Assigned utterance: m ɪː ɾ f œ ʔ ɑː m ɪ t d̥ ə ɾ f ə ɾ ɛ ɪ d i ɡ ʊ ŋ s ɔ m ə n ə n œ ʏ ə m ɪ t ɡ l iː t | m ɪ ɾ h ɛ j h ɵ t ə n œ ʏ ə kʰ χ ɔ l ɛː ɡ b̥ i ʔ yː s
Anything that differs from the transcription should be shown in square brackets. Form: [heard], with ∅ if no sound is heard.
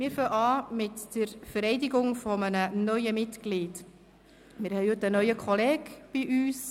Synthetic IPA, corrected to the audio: m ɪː ɾ f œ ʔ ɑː m ɪ t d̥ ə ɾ f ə ɾ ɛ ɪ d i ɡ ʊ ŋ [f] ɔ m ə n ə n œ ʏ ə m ɪ t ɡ l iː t | m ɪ ɾ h ɛ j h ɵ t ə n œ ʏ ə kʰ χ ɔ l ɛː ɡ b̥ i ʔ yː s